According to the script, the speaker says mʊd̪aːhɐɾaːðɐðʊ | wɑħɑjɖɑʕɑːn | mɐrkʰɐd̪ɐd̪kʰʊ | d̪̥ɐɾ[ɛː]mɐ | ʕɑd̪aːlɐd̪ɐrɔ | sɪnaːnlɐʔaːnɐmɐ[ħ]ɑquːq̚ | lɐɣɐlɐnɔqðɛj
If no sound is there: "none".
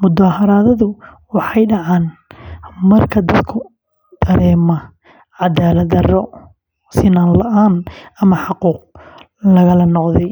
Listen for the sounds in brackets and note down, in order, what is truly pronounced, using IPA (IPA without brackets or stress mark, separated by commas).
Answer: ɛː, ħ